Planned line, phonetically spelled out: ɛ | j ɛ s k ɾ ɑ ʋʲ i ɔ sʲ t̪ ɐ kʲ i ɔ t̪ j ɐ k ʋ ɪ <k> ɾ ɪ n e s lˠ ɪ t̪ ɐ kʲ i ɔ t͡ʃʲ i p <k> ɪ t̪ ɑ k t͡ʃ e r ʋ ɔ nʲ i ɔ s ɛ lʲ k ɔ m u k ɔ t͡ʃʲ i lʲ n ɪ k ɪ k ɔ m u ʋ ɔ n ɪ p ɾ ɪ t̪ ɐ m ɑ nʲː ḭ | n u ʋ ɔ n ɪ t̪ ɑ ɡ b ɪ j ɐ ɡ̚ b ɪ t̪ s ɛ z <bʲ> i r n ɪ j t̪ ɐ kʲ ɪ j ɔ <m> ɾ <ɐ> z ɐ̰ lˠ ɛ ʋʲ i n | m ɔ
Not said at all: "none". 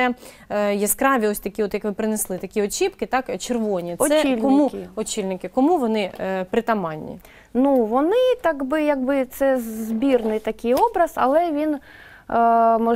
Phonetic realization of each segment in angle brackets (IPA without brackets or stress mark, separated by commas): p, k, bʲ, b, ɐ